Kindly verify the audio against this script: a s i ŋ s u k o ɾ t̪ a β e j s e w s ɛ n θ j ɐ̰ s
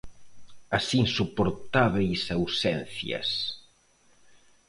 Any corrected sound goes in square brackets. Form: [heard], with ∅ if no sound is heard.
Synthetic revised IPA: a s i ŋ s u [p] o ɾ t̪ a β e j s [a] w s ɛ n θ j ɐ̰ s